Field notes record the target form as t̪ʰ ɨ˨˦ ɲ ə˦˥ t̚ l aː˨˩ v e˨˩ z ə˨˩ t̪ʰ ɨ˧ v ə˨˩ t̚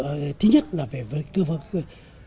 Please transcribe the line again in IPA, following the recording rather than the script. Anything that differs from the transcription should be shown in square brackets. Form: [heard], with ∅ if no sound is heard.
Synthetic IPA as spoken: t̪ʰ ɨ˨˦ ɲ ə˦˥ t̚ l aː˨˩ v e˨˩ [v] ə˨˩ [t̪] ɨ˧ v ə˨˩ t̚